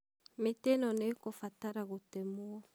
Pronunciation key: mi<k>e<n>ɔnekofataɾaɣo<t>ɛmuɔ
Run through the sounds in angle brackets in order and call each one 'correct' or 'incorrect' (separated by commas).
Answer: incorrect, correct, correct